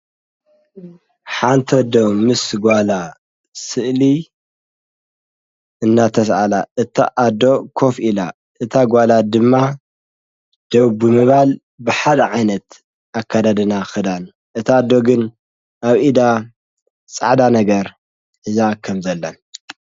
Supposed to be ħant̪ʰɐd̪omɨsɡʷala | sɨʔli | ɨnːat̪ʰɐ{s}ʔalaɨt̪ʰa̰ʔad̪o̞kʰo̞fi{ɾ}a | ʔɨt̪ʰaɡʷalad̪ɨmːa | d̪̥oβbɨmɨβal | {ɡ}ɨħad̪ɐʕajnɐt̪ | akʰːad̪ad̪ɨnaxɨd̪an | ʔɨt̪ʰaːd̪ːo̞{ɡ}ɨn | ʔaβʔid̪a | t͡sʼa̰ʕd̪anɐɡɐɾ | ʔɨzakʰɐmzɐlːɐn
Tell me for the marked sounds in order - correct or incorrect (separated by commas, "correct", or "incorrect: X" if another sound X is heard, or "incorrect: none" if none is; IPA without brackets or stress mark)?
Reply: correct, incorrect: l, incorrect: b, correct